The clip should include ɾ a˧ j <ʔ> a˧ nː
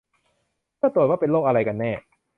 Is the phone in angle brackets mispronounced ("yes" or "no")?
yes